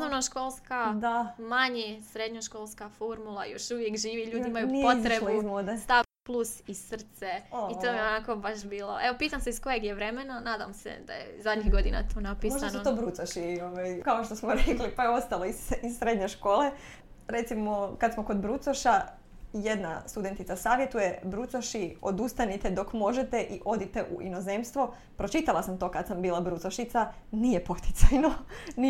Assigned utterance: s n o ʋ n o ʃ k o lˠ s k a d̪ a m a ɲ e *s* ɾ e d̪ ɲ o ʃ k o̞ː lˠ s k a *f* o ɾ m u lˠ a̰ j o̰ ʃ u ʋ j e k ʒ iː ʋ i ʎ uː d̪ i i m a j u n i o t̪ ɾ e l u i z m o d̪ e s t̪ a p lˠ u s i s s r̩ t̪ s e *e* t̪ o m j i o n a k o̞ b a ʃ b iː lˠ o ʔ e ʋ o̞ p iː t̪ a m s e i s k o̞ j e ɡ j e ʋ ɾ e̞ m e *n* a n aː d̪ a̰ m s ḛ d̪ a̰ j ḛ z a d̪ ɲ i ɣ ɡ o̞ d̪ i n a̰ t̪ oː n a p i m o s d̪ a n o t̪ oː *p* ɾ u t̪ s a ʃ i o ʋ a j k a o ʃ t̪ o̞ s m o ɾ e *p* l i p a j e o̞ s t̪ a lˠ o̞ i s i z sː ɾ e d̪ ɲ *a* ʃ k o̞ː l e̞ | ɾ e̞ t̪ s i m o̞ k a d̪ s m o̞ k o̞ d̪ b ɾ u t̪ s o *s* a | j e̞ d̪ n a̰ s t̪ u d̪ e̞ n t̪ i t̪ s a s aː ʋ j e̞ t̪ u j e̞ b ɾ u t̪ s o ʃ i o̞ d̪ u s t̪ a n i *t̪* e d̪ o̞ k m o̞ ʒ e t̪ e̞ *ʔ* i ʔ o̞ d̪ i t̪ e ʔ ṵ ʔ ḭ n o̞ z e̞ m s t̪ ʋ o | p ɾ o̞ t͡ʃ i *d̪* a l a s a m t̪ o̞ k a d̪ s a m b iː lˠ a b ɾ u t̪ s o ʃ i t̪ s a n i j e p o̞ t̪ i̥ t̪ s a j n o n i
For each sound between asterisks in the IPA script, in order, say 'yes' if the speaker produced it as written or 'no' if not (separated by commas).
yes, yes, no, yes, no, no, no, no, yes, yes, no